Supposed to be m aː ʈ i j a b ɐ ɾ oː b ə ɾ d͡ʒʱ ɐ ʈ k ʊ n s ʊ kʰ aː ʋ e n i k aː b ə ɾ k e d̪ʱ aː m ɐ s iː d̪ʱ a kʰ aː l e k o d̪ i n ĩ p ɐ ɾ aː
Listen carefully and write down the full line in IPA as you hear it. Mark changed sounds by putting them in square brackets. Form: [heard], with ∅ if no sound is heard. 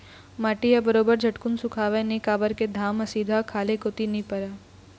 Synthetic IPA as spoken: m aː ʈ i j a b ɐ ɾ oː b ə ɾ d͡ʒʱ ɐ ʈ k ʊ n s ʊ kʰ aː ʋ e n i k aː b ə ɾ k e d̪ʱ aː m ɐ s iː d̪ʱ a kʰ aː l e k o [t̪] i n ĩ p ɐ ɾ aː

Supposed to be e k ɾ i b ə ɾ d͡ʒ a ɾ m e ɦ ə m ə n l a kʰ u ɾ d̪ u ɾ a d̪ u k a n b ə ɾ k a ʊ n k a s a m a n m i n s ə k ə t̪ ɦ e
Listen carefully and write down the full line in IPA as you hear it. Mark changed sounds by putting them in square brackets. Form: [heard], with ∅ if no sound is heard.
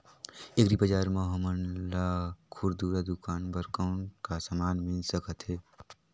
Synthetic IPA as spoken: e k ɾ i b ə [∅] d͡ʒ a ɾ m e ɦ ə m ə n l a kʰ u ɾ d̪ u ɾ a d̪ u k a n b ə ɾ k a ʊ n k a s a m a n m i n s ə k ə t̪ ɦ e

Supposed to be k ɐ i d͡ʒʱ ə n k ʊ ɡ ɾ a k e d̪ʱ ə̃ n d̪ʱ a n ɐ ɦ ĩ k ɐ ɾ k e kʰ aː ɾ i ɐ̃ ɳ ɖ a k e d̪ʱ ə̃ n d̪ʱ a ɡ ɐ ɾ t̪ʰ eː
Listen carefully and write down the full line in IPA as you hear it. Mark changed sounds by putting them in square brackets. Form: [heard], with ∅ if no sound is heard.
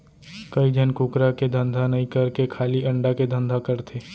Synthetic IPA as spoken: k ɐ i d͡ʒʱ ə n k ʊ [k] ɾ a k e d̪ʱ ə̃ n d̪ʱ a n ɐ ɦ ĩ k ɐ ɾ k e kʰ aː [l] i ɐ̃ ɳ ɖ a k e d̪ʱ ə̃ n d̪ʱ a [k] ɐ ɾ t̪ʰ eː

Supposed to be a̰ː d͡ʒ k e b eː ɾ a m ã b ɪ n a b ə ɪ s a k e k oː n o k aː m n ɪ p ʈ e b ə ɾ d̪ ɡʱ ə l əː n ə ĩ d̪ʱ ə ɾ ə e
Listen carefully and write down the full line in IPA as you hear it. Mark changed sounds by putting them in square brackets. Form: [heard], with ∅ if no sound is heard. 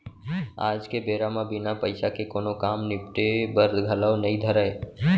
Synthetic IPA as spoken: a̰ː d͡ʒ k e b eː ɾ a m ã b ɪ n a [p] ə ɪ s a k e k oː n o k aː m n ɪ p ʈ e b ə ɾ d̪ ɡʱ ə l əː n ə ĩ d̪ʱ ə ɾ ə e

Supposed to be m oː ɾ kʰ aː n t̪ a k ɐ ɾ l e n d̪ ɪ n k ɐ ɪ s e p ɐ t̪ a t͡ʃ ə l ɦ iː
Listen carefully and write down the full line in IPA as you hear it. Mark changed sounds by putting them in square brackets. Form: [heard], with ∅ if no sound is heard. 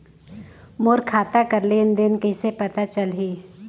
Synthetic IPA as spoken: m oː ɾ kʰ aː [∅] t̪ a k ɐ ɾ l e n d̪ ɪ n k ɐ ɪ s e p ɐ t̪ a t͡ʃ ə l ɦ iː

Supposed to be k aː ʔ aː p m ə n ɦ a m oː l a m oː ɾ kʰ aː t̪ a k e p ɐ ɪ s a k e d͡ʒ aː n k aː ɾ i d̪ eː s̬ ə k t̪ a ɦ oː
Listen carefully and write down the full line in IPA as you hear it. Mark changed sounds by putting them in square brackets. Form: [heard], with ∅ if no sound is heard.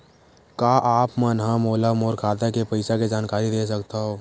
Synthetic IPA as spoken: k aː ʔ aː p m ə n ɦ a m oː l a m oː ɾ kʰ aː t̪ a k e p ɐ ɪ s a k e d͡ʒ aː n k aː ɾ i d̪ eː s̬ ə k t̪ a ɦ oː

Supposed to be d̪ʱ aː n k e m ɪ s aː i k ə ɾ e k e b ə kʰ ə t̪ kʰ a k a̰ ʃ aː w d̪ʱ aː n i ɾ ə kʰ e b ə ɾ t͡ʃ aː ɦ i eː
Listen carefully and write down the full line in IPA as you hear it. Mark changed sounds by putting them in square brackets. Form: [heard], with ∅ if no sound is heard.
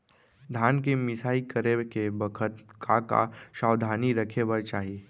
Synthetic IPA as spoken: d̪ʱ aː n k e m ɪ s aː i k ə ɾ e k e b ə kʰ ə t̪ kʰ a k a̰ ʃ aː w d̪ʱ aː n i ɾ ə kʰ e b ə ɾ t͡ʃ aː ɦ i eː

